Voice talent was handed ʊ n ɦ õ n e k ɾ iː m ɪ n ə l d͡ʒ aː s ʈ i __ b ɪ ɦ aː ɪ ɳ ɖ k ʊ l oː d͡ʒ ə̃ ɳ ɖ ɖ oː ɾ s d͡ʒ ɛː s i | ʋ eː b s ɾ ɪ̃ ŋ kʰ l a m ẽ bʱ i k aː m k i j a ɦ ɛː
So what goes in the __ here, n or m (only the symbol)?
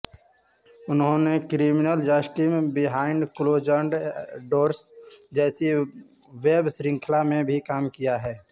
m